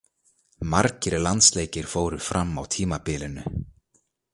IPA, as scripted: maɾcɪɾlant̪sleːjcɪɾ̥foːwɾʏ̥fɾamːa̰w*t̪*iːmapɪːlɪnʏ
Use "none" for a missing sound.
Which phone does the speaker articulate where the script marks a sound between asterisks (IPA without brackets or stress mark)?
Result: t̪ʰ